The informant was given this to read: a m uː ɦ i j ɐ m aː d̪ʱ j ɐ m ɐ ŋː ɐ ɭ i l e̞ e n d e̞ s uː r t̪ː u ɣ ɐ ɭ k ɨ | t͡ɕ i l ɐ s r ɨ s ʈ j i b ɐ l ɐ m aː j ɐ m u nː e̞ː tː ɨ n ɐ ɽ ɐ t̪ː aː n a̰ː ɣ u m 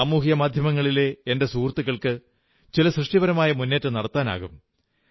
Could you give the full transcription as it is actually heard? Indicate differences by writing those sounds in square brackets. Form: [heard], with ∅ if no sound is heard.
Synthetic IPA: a m uː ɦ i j ɐ m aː d̪ʱ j ɐ m ɐ ŋː ɐ ɭ i l e̞ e n d e̞ s uː r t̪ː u ɣ ɐ ɭ k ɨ | t͡ɕ i l ɐ s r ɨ [ʂ] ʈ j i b ɐ [ɾ] ɐ m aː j ɐ m u nː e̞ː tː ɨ n ɐ ɽ ɐ t̪ː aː n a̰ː ɣ u m